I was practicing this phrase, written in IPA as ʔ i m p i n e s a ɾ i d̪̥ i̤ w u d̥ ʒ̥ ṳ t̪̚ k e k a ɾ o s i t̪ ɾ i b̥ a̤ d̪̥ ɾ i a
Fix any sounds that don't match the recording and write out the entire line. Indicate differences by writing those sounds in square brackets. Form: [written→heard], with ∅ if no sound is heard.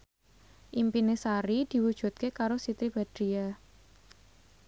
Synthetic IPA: ʔ i m p i n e s a ɾ i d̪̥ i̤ w u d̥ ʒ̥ ṳ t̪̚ k e k a ɾ o s i t̪ ɾ i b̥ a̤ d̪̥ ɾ i a